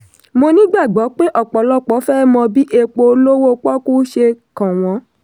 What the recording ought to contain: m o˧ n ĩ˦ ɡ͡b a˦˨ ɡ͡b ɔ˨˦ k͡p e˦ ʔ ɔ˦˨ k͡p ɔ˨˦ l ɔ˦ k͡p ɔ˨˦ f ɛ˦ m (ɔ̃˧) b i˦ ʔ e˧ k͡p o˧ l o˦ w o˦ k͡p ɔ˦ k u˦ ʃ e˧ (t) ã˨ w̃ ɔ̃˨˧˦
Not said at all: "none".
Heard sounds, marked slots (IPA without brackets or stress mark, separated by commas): ɔ̃˧, k